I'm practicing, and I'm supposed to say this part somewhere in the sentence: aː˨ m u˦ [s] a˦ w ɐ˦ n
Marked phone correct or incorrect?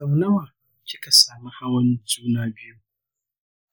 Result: incorrect